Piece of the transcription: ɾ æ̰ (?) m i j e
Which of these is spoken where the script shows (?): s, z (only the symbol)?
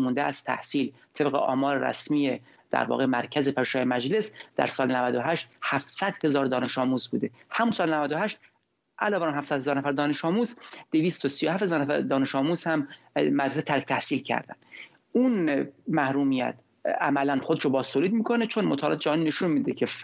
s